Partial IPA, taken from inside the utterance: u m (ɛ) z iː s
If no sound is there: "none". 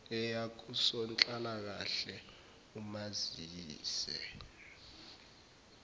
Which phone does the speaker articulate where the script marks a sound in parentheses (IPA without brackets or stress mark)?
a